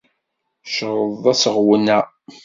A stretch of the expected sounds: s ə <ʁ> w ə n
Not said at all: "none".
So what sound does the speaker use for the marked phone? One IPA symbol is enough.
ʁ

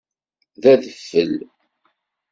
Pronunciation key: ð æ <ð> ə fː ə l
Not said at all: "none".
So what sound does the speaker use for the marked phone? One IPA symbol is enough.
ð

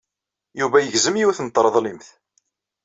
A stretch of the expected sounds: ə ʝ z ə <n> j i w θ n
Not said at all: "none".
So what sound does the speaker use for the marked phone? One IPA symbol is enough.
m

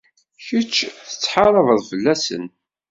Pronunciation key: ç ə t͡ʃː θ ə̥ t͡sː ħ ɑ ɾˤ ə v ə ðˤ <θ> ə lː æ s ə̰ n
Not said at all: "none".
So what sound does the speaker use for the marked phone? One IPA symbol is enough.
f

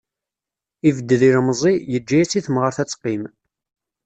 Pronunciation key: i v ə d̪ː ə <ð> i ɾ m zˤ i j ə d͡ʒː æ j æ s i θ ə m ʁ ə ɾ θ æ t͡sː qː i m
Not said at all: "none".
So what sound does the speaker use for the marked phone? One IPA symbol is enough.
ð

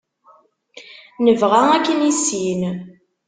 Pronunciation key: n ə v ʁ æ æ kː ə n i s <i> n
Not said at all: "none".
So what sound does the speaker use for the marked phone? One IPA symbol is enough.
i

